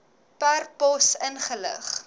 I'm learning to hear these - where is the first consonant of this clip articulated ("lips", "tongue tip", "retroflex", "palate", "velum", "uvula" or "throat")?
lips